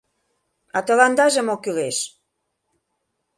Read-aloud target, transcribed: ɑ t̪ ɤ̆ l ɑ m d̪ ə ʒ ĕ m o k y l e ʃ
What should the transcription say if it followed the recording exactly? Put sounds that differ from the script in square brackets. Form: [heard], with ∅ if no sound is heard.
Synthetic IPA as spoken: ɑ t̪ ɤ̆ l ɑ [n] d̪ [ɑ] ʒ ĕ m o k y l e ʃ